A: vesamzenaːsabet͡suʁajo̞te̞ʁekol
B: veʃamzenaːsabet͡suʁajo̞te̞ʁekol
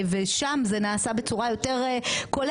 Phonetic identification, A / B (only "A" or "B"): B